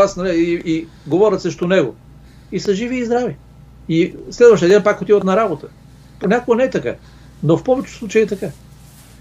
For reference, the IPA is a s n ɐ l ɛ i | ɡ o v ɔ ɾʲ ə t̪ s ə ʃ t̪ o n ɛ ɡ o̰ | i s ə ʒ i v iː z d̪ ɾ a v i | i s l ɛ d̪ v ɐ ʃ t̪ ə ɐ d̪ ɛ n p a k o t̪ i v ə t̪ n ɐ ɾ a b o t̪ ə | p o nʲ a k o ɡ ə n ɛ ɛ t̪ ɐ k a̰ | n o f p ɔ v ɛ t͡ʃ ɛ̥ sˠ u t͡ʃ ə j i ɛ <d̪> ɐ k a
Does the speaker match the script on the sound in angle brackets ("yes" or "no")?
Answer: no